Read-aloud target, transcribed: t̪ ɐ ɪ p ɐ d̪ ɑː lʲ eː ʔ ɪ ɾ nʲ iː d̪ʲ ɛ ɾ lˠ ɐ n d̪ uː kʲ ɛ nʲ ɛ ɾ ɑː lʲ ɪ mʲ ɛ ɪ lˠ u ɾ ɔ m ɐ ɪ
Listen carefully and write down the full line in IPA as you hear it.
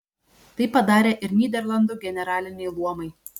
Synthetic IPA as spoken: t̪ ɐ ɪ p ɐ d̪ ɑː ɾʲ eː ʔ ɪ ɾ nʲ iː d̪ʲ ɛ ɾ lˠ ɐ n d̪ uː ɡʲ ɛ nʲ ɛ ɾ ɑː lʲ ɪ nʲ ɛ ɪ lˠ u ɔ m ɐ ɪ